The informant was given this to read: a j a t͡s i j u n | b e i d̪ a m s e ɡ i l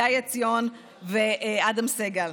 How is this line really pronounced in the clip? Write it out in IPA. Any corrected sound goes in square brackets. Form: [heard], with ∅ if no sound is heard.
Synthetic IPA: a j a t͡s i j [o] n | [v] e [a] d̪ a m s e ɡ [a] l